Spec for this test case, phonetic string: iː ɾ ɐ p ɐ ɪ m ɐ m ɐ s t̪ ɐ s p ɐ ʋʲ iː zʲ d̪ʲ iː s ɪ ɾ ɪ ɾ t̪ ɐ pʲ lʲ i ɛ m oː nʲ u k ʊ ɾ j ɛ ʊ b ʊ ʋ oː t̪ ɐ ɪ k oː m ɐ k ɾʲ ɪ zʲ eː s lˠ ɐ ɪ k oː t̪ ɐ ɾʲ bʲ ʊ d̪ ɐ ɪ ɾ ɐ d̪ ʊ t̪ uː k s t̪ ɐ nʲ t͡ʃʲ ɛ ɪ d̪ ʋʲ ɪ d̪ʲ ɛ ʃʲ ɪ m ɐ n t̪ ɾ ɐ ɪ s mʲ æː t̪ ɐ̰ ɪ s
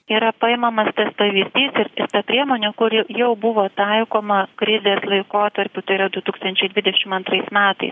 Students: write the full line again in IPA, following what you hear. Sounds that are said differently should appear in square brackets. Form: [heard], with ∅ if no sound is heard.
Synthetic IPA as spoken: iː ɾ ɐ p ɐ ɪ m ɐ m ɐ s t̪ ɐ s p ɐ ʋʲ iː zʲ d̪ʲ iː s ɪ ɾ ɪ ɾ t̪ ɐ pʲ [ɾʲ] i ɛ m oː nʲ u k ʊ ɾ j ɛ ʊ b ʊ ʋ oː t̪ ɐ ɪ k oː m ɐ k ɾʲ ɪ zʲ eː s lˠ ɐ ɪ k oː t̪ ɐ ɾʲ [pʲ] ʊ [t̪] ɐ ɪ ɾ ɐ d̪ ʊ t̪ uː k s t̪ ɐ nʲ t͡ʃʲ ɛ ɪ d̪ ʋʲ ɪ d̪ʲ ɛ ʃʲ ɪ m ɐ n t̪ ɾ ɐ ɪ s mʲ æː t̪ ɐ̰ ɪ s

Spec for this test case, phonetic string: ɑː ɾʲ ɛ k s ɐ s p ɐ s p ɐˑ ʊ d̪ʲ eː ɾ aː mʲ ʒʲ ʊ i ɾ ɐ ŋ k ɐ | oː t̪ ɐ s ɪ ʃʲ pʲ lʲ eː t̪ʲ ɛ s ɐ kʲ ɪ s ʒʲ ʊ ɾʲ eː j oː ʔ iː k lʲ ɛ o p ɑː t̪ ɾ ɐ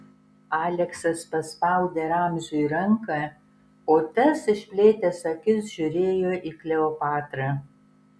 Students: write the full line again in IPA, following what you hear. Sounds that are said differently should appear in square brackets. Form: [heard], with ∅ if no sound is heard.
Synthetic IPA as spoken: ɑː [lʲ] ɛ k s ɐ s p ɐ s p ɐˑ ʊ d̪ʲ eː ɾ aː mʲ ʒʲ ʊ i ɾ ɐ ŋ k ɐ | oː t̪ ɐ s ɪ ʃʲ pʲ lʲ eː t̪ʲ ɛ s ɐ kʲ ɪ s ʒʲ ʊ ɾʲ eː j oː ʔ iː k lʲ ɛ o p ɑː t̪ ɾ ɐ

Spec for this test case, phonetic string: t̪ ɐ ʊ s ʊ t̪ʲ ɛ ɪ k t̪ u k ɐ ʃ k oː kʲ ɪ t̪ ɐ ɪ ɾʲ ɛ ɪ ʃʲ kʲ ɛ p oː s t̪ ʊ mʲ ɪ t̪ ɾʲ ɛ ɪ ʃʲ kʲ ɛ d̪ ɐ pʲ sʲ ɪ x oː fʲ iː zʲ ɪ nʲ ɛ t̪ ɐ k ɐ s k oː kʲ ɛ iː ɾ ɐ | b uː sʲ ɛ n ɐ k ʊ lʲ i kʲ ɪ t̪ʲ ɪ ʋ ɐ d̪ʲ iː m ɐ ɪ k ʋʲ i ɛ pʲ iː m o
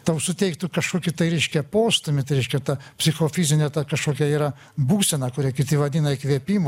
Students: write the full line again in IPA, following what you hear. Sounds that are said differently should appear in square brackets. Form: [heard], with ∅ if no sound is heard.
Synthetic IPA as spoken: t̪ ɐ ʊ s ʊ t̪ʲ ɛ ɪ k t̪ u k ɐ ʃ k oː kʲ ɪ t̪ ɐ ɪ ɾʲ ɛ ɪ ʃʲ kʲ ɛ p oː s t̪ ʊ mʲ ɪ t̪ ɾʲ ɛ ɪ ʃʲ kʲ ɛ [t̪] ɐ pʲ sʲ ɪ x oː fʲ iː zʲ ɪ nʲ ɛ t̪ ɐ k ɐ [ʃ] k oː kʲ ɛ iː ɾ ɐ | b uː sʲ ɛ n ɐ k ʊ [ɾʲ] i kʲ ɪ t̪ʲ ɪ ʋ ɐ d̪ʲ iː [n] ɐ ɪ k ʋʲ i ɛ pʲ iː m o

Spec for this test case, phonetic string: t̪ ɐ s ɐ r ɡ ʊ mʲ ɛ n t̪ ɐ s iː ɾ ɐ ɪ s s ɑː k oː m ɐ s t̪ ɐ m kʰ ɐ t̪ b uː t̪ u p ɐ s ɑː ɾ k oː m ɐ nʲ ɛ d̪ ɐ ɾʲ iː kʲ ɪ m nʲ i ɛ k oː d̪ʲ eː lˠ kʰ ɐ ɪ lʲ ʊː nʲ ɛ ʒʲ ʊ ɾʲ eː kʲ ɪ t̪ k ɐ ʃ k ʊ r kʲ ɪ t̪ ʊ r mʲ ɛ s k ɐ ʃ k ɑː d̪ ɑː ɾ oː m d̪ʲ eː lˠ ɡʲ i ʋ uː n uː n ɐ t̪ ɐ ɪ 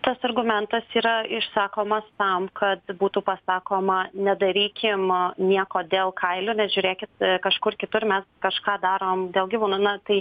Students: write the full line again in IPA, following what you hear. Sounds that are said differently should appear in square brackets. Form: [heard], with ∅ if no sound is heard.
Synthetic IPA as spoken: t̪ ɐ s ɐ r ɡ ʊ mʲ ɛ n t̪ ɐ s iː ɾ ɐ ɪ [ʃ] s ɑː k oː m ɐ s t̪ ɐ m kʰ ɐ t̪ b uː t̪ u p ɐ s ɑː [∅] k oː m ɐ nʲ ɛ d̪ ɐ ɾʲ iː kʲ ɪ m nʲ i ɛ k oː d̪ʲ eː lˠ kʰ ɐ ɪ lʲ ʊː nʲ ɛ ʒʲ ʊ ɾʲ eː kʲ ɪ t̪ k ɐ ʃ k ʊ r kʲ ɪ t̪ ʊ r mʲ ɛ s k ɐ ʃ k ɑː d̪ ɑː ɾ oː m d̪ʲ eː lˠ ɡʲ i ʋ uː n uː n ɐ t̪ ɐ ɪ

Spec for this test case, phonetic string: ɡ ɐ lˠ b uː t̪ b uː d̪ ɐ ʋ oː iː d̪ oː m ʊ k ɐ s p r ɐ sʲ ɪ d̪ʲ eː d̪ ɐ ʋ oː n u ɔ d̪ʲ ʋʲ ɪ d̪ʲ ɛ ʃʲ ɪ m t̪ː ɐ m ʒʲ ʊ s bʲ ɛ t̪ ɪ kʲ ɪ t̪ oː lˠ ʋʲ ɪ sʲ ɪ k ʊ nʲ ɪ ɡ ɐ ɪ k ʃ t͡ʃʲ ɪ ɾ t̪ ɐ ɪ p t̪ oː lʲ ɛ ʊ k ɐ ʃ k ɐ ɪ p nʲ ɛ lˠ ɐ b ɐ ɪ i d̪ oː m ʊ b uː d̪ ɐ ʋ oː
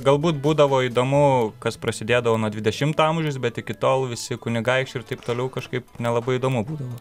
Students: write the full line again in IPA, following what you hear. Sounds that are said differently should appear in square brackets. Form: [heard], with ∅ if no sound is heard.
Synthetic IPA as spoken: ɡ ɐ lˠ b uː t̪ b uː d̪ ɐ ʋ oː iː d̪ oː m ʊ k ɐ s p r ɐ sʲ ɪ d̪ʲ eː d̪ ɐ ʋ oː n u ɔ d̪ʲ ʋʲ ɪ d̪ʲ ɛ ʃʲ ɪ m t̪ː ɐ m ʒʲ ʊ s bʲ ɛ t̪ ɪ kʲ ɪ t̪ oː lˠ ʋʲ ɪ sʲ ɪ k ʊ nʲ ɪ ɡ ɐ ɪ k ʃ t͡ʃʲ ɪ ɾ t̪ ɐ ɪ p t̪ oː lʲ ɛ ʊ k ɐ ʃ k ɐ ɪ p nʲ ɛ lˠ ɐ b ɐ ɪ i d̪ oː m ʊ b uː d̪ ɐ ʋ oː

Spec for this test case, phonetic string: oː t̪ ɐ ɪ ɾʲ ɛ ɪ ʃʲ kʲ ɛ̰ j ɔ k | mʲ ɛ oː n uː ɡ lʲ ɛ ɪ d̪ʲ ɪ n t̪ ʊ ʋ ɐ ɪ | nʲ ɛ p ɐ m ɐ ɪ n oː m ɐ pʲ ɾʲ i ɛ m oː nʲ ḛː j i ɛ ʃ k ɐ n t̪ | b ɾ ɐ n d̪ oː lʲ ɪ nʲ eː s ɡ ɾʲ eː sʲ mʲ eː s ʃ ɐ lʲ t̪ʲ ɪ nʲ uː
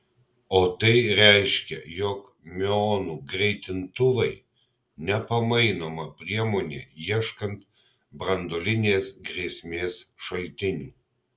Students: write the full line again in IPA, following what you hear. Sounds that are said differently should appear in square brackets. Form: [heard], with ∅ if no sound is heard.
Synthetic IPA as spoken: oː t̪ ɐ ɪ ɾʲ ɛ ɪ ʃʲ kʲ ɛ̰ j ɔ k | mʲ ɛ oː n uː ɡ [ɾʲ] ɛ ɪ [t̪ʲ] ɪ n t̪ ʊ ʋ ɐ ɪ | nʲ ɛ p ɐ m ɐ ɪ n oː m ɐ pʲ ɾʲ i ɛ m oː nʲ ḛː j i ɛ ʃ k ɐ n t̪ | b ɾ ɐ n d̪ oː lʲ ɪ nʲ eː s ɡ ɾʲ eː sʲ mʲ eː s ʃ ɐ lʲ t̪ʲ ɪ nʲ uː

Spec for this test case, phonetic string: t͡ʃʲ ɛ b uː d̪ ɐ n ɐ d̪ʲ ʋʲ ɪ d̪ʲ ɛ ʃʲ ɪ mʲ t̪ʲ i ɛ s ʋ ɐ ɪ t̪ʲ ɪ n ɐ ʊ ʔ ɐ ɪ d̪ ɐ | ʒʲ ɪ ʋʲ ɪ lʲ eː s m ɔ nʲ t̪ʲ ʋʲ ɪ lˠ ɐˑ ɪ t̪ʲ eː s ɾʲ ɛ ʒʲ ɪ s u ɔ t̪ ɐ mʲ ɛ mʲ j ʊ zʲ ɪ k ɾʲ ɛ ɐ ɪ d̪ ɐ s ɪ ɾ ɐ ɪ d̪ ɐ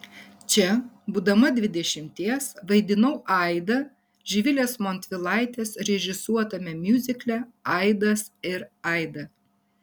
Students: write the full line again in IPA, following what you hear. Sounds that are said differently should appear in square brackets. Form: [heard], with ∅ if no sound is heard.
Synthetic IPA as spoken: t͡ʃʲ ɛ b uː d̪ ɐ [m] ɐ d̪ʲ ʋʲ ɪ d̪ʲ ɛ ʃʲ ɪ mʲ t̪ʲ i ɛ s ʋ ɐ ɪ [d̪ʲ] ɪ n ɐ ʊ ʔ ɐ ɪ d̪ ɐ | ʒʲ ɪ ʋʲ ɪ lʲ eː s m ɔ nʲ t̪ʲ ʋʲ ɪ lˠ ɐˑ ɪ t̪ʲ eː s ɾʲ ɛ ʒʲ ɪ s u ɔ t̪ ɐ mʲ ɛ mʲ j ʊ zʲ ɪ k [lʲ] ɛ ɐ ɪ d̪ ɐ s ɪ ɾ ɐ ɪ d̪ ɐ

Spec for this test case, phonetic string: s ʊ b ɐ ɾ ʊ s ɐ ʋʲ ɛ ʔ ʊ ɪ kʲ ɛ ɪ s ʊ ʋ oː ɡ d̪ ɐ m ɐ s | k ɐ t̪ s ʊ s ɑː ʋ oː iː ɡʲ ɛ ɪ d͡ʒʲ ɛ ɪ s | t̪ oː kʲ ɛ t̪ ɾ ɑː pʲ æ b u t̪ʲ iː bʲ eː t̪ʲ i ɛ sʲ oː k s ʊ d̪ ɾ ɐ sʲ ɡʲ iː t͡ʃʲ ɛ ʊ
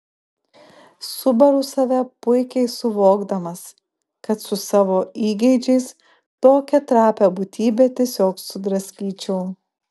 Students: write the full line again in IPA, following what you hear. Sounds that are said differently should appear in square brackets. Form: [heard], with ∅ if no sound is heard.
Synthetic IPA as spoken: s ʊ b ɐ ɾ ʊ s ɐ ʋʲ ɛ [p] ʊ ɪ kʲ ɛ ɪ s ʊ ʋ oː ɡ d̪ ɐ m ɐ s | k ɐ t̪ s ʊ s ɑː ʋ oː iː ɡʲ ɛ ɪ d͡ʒʲ ɛ ɪ s | t̪ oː kʲ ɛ t̪ ɾ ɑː pʲ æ b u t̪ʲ iː bʲ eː t̪ʲ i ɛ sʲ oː k s ʊ d̪ ɾ ɐ sʲ [kʲ] iː t͡ʃʲ ɛ ʊ

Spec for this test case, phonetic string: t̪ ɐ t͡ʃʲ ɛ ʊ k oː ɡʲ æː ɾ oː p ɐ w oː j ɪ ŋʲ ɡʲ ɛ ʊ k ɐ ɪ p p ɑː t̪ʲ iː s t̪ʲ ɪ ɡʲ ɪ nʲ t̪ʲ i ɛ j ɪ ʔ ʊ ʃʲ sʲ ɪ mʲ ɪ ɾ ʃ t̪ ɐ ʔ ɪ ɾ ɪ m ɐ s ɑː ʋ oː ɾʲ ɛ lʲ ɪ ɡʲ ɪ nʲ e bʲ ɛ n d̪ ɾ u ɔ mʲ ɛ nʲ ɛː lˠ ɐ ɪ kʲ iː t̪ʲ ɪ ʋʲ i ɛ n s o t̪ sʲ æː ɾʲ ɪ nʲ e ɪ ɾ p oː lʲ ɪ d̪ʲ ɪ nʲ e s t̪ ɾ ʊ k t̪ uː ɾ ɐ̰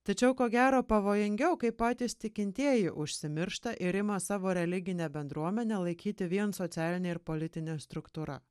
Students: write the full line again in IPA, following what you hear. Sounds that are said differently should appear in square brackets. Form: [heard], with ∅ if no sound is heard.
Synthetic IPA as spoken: t̪ ɐ t͡ʃʲ ɛ ʊ k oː ɡʲ æː ɾ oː p ɐ [ʋ] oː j ɪ ŋʲ ɡʲ ɛ ʊ k ɐ ɪ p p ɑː t̪ʲ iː s t̪ʲ ɪ [kʲ] ɪ nʲ t̪ʲ i ɛ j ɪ ʔ ʊ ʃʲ sʲ ɪ mʲ ɪ ɾ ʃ t̪ ɐ ʔ ɪ ɾ ɪ m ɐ s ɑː ʋ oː ɾʲ ɛ lʲ ɪ ɡʲ ɪ nʲ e bʲ ɛ n d̪ ɾ u ɔ mʲ ɛ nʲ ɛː lˠ ɐ ɪ kʲ iː t̪ʲ ɪ ʋʲ i ɛ n s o t̪ sʲ æː [lʲ] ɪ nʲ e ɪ ɾ p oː lʲ ɪ [t̪ʲ] ɪ nʲ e s t̪ ɾ ʊ k t̪ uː ɾ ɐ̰

